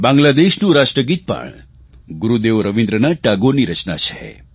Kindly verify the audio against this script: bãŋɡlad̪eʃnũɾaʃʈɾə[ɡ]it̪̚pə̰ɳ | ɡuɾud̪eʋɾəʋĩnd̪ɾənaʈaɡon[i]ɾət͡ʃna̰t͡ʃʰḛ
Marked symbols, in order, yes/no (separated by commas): yes, yes